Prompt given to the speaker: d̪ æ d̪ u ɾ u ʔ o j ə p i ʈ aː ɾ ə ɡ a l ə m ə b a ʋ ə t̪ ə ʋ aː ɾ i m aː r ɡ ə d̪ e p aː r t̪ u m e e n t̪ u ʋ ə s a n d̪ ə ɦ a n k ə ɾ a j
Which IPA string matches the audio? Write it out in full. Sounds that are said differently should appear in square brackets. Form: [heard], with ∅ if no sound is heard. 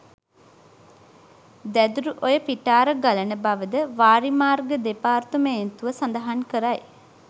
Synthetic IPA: d̪ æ d̪ u ɾ u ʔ o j ə p i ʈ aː ɾ ə ɡ a l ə [n] ə b a ʋ ə [d̪] ə ʋ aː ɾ i m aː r ɡ ə d̪ e p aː r t̪ u m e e n t̪ u ʋ ə s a n d̪ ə ɦ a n k ə ɾ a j